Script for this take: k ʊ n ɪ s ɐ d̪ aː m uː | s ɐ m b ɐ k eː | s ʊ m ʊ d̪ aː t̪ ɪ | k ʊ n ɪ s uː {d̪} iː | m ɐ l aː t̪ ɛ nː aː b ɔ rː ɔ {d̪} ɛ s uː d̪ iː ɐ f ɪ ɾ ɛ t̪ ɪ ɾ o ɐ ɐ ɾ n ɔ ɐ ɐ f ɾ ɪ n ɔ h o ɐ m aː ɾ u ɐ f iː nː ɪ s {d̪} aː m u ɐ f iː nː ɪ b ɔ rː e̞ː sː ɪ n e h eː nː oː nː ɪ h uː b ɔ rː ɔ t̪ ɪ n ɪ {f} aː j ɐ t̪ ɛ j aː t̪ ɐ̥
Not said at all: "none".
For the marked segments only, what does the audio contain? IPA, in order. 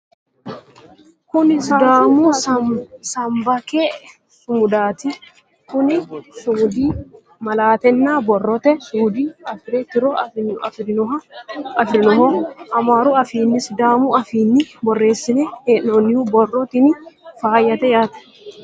d̪, t̪, d̪, f

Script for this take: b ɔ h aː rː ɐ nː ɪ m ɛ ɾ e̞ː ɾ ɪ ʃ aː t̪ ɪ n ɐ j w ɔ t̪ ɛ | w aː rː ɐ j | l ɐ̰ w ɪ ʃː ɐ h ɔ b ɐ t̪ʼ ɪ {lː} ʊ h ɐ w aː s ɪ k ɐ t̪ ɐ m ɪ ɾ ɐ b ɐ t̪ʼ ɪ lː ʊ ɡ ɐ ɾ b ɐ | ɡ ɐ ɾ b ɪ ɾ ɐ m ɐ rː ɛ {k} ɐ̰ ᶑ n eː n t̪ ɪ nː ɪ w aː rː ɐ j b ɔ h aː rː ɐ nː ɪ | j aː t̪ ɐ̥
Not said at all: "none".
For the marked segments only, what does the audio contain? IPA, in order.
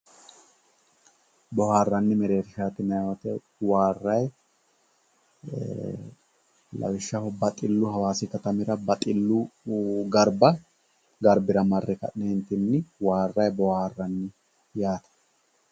lː, k

